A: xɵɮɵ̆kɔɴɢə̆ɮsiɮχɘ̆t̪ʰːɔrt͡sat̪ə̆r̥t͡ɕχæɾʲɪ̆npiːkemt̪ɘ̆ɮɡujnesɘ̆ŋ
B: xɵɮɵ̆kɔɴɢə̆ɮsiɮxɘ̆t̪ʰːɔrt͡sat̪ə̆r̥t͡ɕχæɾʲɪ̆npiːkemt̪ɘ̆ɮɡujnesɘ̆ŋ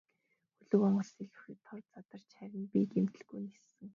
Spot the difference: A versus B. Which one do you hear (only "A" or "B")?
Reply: B